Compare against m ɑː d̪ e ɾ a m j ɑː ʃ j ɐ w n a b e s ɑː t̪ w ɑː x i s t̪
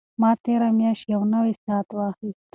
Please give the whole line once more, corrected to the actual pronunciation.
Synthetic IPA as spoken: m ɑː t̪ e ɾ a m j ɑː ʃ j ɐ w n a w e s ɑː t̪ w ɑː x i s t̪